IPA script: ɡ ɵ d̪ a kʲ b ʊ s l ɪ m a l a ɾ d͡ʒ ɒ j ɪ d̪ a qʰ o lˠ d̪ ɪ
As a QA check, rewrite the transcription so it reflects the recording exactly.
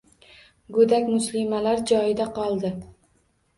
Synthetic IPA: ɡ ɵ d̪ a kʲ m ʊ s l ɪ m a l a ɾ d͡ʒ ɒ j ɪ d̪ a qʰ ɒ lˠ d̪ ɪ